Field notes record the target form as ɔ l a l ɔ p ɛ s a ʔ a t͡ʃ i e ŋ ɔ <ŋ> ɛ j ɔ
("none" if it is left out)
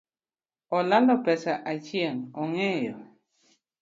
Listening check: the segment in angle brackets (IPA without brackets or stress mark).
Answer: ŋ